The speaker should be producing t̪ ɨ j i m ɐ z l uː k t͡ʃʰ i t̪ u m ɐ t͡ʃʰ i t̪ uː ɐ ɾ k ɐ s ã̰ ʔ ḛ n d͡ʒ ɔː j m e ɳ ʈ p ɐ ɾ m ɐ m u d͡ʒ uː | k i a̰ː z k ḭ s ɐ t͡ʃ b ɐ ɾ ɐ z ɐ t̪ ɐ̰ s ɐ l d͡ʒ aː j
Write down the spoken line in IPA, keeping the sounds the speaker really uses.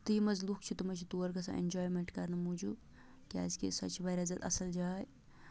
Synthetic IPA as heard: t̪ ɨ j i m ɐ z l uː k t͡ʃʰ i t̪ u m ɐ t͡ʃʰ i t̪ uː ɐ ɾ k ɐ s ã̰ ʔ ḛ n d͡ʒ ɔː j m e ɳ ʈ k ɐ ɾ n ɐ m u d͡ʒ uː | k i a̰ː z k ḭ s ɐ t͡ʃ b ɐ ɾ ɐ z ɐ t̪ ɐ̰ s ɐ l d͡ʒ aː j